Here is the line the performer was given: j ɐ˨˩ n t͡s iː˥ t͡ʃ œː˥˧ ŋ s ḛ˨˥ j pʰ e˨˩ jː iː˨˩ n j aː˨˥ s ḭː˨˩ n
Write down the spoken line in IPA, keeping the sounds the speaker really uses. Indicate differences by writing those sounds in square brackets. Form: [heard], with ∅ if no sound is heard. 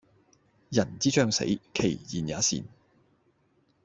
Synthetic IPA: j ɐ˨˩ n t͡s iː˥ t͡ʃ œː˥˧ ŋ s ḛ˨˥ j [kʰ] e˨˩ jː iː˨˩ n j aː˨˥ s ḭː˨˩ n